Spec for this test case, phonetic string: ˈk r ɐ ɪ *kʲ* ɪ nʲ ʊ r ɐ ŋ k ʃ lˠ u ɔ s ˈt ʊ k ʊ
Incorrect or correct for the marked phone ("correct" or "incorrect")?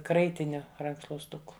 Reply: incorrect